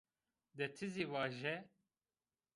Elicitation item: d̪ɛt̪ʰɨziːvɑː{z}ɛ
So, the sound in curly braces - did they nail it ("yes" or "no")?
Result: no